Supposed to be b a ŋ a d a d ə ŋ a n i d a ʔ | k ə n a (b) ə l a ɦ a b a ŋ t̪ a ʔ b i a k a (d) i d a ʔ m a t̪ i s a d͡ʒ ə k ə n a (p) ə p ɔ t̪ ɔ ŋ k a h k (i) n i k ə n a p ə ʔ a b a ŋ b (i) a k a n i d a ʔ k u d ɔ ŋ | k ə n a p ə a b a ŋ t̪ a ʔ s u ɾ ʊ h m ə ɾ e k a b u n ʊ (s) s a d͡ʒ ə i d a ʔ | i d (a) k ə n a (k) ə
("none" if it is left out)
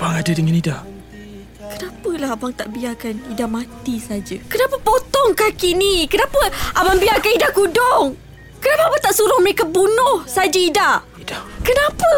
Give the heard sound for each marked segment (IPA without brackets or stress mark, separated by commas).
p, n, p, i, i, h, a, p